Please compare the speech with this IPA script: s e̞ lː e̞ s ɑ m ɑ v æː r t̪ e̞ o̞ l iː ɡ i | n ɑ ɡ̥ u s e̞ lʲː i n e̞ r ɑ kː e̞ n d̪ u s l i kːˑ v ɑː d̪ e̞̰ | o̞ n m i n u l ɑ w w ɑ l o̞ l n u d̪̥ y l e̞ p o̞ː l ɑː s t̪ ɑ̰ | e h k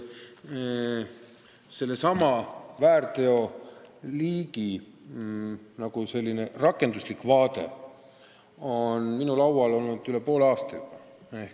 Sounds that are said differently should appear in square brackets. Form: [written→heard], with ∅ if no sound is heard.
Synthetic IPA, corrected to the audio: s e̞ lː e̞ s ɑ m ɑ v æː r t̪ e̞ o̞ l iː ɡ i | n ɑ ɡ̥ u s e̞ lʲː i n e̞ r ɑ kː e̞ n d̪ u s l i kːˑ v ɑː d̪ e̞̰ | o̞ n m i n u l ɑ w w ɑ l o̞ l n u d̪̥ y l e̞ p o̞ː l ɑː s t̪ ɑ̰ | e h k